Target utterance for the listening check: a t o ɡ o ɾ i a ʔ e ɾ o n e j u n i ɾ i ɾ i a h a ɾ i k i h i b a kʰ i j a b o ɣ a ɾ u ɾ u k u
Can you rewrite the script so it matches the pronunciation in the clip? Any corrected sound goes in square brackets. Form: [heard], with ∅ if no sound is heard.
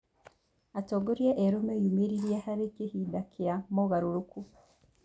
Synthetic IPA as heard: a t o ɡ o ɾ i [e] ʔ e ɾ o [m] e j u [m] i ɾ i ɾ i [e] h a ɾ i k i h i [d] a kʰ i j a [m] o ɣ a ɾ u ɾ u k u

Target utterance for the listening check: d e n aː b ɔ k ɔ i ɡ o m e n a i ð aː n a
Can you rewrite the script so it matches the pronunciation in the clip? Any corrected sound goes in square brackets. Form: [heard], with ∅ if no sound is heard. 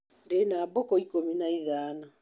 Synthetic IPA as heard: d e n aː b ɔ k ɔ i [k] o m [i] n a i ð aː n a

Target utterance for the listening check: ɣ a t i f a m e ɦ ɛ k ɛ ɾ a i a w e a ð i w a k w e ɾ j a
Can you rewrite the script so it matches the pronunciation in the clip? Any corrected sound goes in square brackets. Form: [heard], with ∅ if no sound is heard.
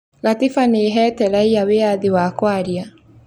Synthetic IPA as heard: ɣ a t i f a [n] e ɦ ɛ [t] ɛ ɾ a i a w e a ð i w a k w [a] ɾ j a

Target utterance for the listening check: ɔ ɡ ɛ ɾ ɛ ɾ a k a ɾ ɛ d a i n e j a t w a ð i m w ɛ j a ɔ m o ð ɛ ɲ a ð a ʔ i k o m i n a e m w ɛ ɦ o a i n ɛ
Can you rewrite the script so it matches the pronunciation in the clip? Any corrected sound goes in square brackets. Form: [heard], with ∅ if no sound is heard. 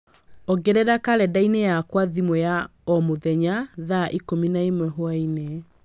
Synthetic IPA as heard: ɔ ɡ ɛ ɾ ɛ ɾ a k a ɾ ɛ d a i n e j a [k] w a ð i m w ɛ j a ɔ m o ð ɛ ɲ a ð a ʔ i k o m i n a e m w ɛ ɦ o a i n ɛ

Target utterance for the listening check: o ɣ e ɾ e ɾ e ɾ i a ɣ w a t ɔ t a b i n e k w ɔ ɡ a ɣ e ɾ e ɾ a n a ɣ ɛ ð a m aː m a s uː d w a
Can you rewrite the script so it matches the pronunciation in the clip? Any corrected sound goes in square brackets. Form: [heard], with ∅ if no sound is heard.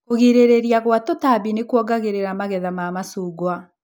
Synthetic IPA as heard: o ɣ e ɾ e ɾ e ɾ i a ɣ w a t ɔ t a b i n e k w ɔ ɡ a ɣ e ɾ e ɾ a [m] a ɣ ɛ ð a m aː m a s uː [ɡ] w a

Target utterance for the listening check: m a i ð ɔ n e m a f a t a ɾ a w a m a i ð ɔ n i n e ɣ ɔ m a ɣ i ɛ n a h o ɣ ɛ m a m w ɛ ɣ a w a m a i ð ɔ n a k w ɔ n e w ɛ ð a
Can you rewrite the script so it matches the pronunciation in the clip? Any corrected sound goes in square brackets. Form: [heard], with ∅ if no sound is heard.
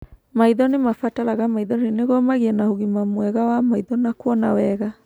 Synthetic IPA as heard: m a i ð ɔ n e m a f a t a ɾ a [ɣ] a m a i ð ɔ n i n e ɣ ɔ m a ɣ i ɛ n a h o ɣ [i] m a m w ɛ ɣ a w a m a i ð ɔ n a k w ɔ n [a] w ɛ [ɣ] a

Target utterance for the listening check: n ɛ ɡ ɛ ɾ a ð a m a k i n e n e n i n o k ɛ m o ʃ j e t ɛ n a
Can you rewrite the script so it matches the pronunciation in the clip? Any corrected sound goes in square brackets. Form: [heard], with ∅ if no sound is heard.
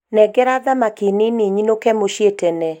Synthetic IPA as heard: n ɛ ɡ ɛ ɾ a ð a m a k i n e n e [ɲ] i n o k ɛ m o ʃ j e t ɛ n [ɛ]

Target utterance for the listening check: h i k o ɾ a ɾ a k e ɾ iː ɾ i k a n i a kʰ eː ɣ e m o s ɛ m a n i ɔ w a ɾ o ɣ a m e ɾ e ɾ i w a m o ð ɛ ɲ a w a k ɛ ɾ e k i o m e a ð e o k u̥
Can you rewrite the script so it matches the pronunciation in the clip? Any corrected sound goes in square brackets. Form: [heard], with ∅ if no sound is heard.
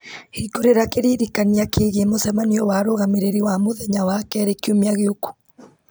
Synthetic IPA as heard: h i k o ɾ [e] ɾ a k e ɾ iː ɾ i k a n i a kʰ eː ɣ e m o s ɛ m a n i ɔ w a ɾ o ɣ a m e ɾ e ɾ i w a m o ð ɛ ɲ a w a k ɛ ɾ e k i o m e a [ɣ] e o k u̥

